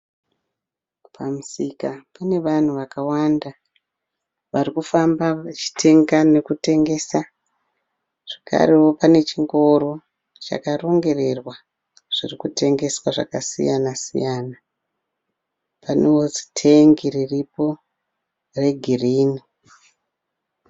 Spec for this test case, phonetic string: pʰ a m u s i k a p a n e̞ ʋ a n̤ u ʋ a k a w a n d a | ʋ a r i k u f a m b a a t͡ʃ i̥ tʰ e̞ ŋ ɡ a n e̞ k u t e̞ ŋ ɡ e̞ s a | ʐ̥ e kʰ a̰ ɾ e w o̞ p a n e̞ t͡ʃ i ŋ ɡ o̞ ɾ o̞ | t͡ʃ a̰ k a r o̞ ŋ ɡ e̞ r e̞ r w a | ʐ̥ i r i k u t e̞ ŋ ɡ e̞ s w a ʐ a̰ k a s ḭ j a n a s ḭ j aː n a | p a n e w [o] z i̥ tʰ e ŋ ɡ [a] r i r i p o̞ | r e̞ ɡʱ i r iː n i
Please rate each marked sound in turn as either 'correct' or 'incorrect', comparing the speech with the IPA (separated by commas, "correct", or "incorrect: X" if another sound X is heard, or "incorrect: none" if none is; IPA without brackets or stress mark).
correct, incorrect: i